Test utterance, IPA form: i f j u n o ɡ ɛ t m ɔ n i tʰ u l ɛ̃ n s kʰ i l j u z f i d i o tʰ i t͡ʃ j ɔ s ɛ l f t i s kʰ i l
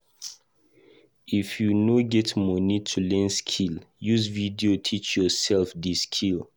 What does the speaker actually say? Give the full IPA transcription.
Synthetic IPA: i f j u n o ɡ ɛ t m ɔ n i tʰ u l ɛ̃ n s kʰ i l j u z v i d i o tʰ i t͡ʃ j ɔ s ɛ l f d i s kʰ i l